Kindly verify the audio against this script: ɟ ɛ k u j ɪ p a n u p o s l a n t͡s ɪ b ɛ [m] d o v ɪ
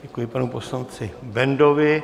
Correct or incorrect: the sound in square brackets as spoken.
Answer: incorrect: n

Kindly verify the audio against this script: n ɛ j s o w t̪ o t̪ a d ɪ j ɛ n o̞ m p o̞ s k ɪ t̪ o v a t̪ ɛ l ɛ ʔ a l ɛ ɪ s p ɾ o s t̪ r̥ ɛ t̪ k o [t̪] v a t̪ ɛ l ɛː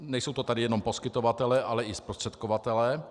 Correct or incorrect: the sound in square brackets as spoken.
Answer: incorrect: none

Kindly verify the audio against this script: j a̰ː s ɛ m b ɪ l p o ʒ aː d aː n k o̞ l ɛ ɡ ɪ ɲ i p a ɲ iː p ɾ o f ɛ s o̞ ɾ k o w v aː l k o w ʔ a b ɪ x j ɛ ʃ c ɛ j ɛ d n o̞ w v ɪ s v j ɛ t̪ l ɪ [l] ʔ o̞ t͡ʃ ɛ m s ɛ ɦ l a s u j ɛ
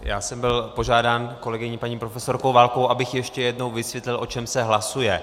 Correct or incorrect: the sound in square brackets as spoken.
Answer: correct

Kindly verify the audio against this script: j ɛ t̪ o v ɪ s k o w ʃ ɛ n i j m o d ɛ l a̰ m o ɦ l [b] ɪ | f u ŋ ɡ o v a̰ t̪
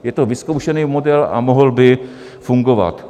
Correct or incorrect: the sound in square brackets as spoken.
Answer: correct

